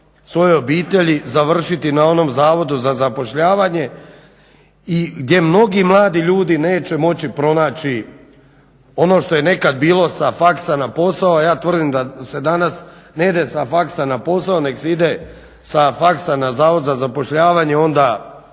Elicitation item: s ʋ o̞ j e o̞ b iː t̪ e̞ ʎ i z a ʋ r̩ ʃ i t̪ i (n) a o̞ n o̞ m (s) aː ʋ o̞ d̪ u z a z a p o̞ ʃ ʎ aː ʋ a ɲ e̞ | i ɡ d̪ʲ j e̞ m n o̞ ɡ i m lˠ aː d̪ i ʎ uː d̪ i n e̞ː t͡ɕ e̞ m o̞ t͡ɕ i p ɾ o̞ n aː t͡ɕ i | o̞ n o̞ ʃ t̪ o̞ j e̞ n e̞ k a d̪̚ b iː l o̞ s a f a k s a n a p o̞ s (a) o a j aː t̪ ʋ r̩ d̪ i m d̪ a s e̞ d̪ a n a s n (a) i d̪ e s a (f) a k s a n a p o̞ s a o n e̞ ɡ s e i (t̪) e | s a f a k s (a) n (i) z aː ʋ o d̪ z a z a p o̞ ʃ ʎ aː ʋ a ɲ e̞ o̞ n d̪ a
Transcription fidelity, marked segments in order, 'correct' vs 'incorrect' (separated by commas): correct, incorrect, correct, incorrect, correct, incorrect, correct, incorrect